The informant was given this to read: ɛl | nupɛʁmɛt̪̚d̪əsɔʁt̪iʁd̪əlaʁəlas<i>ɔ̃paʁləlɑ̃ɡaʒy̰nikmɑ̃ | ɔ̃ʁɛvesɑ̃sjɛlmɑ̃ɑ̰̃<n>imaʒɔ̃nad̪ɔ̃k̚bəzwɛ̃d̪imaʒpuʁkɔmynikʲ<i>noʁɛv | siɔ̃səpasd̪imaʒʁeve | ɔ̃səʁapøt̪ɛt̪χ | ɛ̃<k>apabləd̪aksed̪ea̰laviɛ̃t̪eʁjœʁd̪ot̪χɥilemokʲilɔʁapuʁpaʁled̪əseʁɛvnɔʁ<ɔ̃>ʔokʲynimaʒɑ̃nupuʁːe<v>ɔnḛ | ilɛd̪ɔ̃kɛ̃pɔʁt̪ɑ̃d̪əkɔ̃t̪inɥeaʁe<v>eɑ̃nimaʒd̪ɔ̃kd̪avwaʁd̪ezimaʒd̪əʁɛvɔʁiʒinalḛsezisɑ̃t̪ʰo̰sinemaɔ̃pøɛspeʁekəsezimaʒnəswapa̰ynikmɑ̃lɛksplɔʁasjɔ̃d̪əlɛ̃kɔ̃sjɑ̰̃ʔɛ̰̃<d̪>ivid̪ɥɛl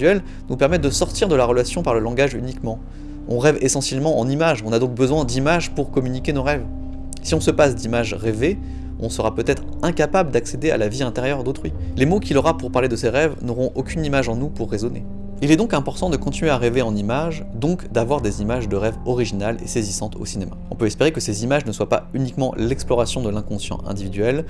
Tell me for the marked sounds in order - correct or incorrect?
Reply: incorrect, correct, incorrect, correct, correct, incorrect, correct, correct

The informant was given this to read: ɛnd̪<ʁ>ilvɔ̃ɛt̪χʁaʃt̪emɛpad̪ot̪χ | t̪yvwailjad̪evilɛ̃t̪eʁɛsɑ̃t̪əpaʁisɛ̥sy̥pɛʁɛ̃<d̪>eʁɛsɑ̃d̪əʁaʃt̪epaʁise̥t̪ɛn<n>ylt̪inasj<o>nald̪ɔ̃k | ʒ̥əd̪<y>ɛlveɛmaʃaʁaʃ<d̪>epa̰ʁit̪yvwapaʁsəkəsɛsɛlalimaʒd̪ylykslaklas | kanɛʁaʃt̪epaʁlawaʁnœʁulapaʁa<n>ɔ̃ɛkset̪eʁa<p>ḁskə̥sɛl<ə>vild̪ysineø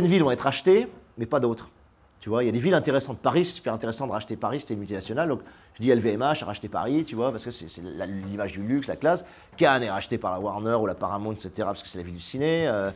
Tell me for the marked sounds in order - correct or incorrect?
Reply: incorrect, incorrect, incorrect, incorrect, incorrect, incorrect, incorrect, correct, incorrect

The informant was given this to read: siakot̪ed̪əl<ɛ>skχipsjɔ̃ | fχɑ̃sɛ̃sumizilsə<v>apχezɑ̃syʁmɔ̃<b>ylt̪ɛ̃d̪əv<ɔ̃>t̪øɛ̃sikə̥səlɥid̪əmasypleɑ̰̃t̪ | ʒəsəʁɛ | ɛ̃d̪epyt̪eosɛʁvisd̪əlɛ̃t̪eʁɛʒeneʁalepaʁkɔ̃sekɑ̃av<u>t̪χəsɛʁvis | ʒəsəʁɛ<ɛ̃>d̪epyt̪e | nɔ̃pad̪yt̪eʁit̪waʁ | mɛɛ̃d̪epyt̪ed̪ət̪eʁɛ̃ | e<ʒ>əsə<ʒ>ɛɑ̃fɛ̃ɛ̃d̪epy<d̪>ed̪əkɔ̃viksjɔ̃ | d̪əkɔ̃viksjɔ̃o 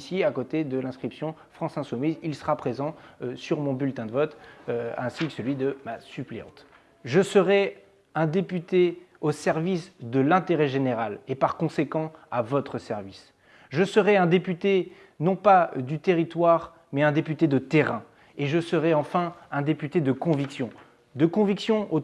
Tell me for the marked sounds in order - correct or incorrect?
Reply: incorrect, incorrect, correct, incorrect, incorrect, correct, correct, incorrect, incorrect

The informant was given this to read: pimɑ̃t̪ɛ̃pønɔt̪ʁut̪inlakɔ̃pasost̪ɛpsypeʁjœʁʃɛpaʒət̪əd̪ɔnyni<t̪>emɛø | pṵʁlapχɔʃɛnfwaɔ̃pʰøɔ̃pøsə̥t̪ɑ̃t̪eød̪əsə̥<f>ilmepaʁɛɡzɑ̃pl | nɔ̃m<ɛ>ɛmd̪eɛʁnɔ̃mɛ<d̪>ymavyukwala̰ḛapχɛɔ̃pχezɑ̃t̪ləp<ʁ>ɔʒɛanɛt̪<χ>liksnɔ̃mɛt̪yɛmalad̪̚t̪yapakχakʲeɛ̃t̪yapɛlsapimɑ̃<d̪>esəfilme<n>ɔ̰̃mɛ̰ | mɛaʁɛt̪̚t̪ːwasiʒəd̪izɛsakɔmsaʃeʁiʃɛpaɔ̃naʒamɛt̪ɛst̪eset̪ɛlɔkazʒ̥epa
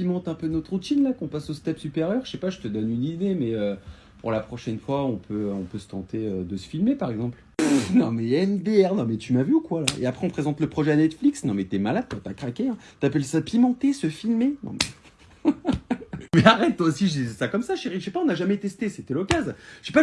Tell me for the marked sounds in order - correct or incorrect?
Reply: incorrect, correct, correct, incorrect, incorrect, incorrect, incorrect, correct

